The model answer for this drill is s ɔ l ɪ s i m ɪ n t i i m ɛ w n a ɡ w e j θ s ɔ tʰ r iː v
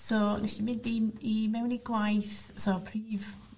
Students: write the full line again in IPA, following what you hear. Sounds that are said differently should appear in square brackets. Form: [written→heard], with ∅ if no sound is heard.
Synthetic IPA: s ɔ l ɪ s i m ɪ n [t→d] i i m ɛ w n [a→i] ɡ w [e→a] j θ s ɔ [tʰ→pʰ] r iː v